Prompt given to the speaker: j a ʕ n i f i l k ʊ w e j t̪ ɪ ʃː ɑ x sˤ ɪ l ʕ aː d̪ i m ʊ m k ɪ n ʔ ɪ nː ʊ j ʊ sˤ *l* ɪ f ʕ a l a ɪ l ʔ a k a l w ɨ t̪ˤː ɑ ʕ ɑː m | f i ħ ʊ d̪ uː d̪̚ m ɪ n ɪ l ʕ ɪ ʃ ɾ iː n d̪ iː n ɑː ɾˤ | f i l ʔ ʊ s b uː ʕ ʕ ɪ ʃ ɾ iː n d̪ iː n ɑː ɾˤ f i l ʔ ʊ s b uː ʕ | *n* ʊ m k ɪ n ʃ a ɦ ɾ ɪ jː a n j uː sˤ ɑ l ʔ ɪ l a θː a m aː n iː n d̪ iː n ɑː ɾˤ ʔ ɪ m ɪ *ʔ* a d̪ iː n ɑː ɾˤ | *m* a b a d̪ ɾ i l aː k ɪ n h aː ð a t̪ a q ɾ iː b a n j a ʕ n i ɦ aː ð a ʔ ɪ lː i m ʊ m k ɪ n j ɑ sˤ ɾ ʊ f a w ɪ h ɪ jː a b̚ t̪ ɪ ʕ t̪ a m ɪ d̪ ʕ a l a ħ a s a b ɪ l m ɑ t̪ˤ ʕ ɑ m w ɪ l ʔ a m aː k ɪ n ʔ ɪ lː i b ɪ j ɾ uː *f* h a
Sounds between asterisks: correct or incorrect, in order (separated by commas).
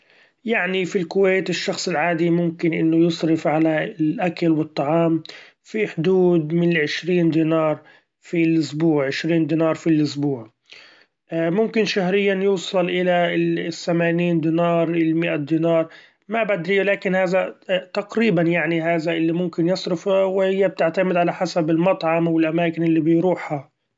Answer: incorrect, incorrect, correct, correct, incorrect